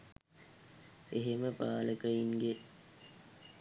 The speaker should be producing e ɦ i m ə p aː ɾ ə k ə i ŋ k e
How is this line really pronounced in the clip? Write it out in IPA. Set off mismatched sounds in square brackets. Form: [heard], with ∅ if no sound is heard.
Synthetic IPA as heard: e ɦ [e] m ə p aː [l] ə k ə i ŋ [ɡ] e